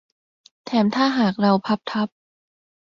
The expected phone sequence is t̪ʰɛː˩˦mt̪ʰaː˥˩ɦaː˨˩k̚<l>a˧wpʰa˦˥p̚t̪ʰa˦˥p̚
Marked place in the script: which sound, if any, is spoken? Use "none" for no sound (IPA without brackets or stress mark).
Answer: ɾ